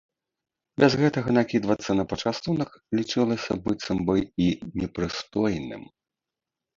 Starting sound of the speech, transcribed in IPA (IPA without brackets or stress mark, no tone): bʲ